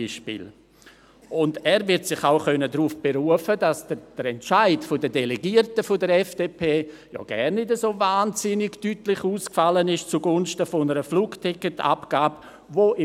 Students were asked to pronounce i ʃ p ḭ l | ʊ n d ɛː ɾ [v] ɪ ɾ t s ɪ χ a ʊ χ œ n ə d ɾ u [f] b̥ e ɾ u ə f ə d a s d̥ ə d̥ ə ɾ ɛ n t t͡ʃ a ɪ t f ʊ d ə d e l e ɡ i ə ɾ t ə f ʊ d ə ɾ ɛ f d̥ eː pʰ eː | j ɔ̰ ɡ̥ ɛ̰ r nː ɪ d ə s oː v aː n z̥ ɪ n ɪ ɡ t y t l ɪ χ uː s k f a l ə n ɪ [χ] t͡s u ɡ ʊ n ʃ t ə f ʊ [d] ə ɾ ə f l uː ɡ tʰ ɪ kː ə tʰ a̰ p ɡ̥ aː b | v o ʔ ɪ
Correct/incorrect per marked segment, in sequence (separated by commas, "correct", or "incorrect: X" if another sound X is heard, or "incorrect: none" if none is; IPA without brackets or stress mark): correct, correct, incorrect: ʃ, incorrect: n